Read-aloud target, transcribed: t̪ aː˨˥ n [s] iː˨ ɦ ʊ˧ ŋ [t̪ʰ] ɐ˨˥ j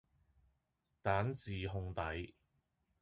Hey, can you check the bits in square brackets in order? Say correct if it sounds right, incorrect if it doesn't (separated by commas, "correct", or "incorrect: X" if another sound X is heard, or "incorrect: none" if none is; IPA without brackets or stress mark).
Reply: incorrect: t͡s, incorrect: t̪